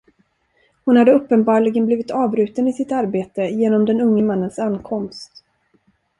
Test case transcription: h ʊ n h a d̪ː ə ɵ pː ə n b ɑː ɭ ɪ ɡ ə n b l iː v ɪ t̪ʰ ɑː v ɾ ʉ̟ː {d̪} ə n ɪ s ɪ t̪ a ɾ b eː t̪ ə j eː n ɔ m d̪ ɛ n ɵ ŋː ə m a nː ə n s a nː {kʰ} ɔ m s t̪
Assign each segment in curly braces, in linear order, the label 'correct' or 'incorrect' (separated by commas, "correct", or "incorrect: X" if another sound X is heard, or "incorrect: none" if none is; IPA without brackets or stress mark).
incorrect: t̪, correct